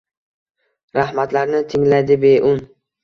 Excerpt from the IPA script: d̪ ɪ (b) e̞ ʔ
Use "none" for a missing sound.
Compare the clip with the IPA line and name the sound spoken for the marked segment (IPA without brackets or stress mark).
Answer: b